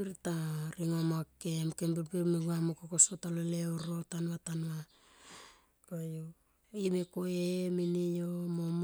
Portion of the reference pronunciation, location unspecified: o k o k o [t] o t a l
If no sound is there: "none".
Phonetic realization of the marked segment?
s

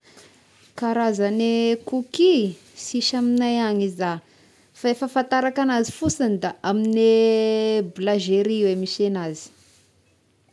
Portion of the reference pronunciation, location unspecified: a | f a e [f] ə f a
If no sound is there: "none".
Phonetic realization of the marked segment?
f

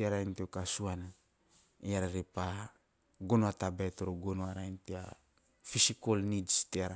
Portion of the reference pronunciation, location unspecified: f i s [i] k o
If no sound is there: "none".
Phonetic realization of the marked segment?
i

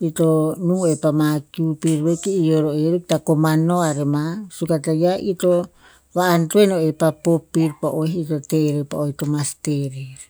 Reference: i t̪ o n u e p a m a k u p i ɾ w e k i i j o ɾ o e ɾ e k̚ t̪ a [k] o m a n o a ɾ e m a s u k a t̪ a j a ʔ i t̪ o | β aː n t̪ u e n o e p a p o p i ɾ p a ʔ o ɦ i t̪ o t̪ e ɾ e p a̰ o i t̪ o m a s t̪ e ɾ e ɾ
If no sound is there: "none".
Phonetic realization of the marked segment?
k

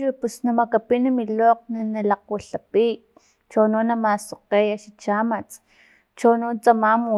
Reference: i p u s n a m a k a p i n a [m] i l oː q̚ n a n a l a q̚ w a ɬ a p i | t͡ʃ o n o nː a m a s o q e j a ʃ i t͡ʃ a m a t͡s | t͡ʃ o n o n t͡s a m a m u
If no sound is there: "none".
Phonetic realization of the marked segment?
m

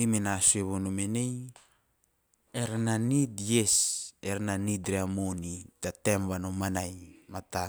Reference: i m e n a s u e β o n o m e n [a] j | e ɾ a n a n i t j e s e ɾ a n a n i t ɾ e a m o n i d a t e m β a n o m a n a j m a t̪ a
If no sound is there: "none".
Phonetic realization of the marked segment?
e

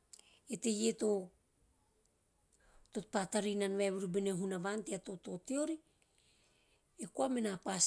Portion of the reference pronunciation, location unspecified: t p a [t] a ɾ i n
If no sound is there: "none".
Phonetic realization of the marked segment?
t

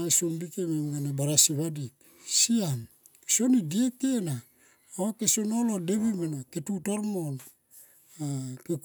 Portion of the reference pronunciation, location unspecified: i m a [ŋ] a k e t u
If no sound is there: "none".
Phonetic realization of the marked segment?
n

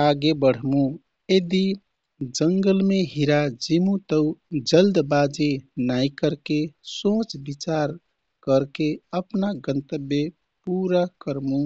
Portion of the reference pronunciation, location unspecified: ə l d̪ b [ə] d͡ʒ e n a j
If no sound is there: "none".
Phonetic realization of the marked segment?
a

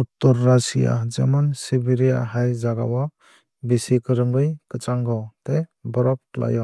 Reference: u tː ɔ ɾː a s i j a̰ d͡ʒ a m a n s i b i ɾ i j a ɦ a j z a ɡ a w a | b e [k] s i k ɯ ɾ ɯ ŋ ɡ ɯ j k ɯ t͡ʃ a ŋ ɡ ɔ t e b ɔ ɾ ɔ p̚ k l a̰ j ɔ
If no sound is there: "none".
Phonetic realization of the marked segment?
none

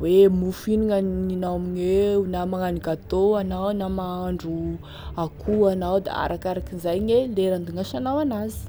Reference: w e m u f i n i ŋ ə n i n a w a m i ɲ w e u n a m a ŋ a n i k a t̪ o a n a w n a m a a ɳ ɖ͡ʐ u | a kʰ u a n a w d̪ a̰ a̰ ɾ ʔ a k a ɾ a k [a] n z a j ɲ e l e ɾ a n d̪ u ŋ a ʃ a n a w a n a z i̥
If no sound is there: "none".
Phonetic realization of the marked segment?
i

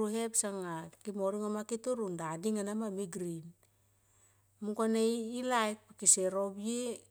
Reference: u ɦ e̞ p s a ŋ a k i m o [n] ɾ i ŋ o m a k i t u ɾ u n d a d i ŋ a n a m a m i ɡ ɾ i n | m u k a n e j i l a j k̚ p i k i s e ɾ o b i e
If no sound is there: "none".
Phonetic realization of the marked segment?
none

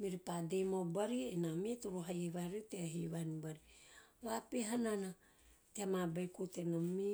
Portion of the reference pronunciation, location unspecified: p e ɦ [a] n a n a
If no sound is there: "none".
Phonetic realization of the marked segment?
a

